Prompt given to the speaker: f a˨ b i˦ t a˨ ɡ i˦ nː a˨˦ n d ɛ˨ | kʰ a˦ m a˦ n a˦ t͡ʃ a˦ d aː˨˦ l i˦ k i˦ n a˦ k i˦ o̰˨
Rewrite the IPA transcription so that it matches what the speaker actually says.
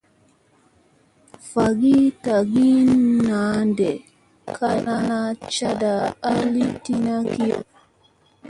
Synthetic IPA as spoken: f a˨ ɡ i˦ t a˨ ɡ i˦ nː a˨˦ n d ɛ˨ | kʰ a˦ n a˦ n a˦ t͡ʃ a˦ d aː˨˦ l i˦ t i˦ n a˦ k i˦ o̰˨